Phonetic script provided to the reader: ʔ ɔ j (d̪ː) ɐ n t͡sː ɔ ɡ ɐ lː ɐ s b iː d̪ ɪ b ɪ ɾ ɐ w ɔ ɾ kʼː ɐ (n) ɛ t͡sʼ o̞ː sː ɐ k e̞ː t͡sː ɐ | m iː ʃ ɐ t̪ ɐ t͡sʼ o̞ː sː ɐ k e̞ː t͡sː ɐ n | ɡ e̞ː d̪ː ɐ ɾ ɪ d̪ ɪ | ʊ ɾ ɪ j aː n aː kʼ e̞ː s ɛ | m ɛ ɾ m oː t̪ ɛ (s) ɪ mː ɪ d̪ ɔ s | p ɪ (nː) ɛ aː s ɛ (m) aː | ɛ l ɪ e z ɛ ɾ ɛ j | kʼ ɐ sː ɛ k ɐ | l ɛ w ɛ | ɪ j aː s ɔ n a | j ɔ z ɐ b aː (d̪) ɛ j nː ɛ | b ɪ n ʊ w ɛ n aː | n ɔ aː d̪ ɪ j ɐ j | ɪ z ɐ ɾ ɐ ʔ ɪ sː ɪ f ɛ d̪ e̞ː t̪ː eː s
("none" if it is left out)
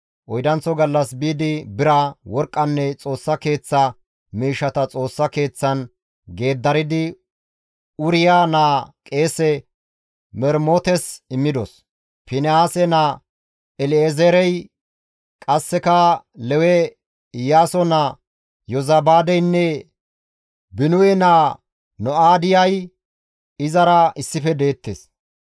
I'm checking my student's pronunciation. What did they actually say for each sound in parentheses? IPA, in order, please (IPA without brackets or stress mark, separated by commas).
d̪, nː, s, n, n, d̪